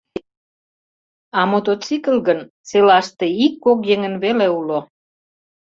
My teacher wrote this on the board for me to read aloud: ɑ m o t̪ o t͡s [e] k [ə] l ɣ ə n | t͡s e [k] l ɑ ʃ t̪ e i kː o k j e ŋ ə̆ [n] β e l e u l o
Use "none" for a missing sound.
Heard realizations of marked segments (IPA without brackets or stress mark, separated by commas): i, ə, none, n